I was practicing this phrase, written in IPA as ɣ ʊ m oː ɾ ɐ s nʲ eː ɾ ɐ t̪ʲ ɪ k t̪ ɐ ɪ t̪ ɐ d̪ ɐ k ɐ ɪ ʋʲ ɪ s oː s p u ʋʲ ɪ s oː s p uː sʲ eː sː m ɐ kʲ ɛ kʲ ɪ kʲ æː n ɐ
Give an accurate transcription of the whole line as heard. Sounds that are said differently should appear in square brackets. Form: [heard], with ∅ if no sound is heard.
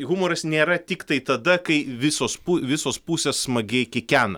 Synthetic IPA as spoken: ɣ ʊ m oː ɾ ɐ s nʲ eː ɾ ɐ t̪ʲ ɪ k t̪ ɐ ɪ t̪ ɐ d̪ ɐ k ɐ ɪ ʋʲ ɪ s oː s p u ʋʲ ɪ s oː s p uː sʲ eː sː m ɐ [ɡʲ] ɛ kʲ ɪ kʲ æː n ɐ